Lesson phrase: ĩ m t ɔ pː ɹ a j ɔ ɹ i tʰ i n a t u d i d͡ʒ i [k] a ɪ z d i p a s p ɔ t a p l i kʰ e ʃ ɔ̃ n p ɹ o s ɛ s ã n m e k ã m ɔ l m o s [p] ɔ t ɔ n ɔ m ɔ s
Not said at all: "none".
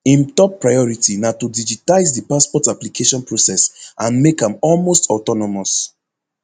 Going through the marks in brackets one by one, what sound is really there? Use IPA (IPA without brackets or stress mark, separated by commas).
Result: t, t